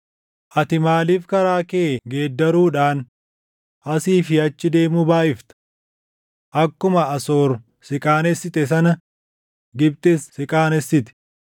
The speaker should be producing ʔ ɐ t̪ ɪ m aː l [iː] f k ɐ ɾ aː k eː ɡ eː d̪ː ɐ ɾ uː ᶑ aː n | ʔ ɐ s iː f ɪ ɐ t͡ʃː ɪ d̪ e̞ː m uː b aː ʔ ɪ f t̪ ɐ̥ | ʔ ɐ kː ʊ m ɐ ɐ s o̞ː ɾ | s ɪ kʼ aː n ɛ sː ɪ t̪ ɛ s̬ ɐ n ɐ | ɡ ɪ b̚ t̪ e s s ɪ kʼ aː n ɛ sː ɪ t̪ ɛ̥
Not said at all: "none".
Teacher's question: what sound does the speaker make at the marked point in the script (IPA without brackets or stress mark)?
iː